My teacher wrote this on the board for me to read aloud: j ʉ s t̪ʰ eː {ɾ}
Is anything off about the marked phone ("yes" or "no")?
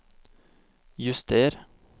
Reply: no